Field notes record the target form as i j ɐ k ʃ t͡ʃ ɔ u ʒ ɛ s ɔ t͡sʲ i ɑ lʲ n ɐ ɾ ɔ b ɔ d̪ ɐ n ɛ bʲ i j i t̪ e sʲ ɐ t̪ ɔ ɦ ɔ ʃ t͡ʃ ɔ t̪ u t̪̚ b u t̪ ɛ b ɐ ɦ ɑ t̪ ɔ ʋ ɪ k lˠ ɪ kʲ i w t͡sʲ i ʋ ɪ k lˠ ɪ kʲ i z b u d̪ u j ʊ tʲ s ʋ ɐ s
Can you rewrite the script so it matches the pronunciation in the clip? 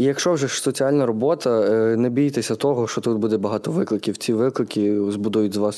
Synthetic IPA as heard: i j ɐ k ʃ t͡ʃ ɔ w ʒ ɛ s ɔ t͡sʲ i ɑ lʲ n ɐ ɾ ɔ b ɔ t̪ ɐ n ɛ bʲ i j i t̪ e sʲ ɐ t̪ ɔ ɦ ɔ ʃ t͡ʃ ɔ t̪ u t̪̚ b u d̪ ɛ b ɐ ɦ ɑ t̪ ɔ ʋ ɪ k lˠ ɪ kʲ i w t͡sʲ i ʋ ɪ k lˠ ɪ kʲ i z b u d̪ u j ʊ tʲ z ʋ ɑ s